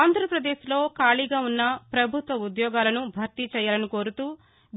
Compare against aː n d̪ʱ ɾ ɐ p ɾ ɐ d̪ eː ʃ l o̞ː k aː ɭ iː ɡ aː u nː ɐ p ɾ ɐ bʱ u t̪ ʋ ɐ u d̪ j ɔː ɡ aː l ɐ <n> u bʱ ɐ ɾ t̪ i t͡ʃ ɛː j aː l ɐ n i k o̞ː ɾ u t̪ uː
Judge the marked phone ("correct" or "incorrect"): correct